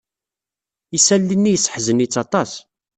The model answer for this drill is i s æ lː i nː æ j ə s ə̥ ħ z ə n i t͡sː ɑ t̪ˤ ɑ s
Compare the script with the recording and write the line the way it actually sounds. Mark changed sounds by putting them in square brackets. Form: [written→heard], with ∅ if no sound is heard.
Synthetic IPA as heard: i s æ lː i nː [æ→i] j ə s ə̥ ħ z ə n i t͡sː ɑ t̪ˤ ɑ s